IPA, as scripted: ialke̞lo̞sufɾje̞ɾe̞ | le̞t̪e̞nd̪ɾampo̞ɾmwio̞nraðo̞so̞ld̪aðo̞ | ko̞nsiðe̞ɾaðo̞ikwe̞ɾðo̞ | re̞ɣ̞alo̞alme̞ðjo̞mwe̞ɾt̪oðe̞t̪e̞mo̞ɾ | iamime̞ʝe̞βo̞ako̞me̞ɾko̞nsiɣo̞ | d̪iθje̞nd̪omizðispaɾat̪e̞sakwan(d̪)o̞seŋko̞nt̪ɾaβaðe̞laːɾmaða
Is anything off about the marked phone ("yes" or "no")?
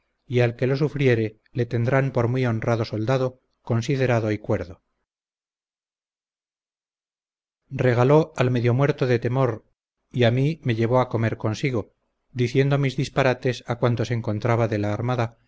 yes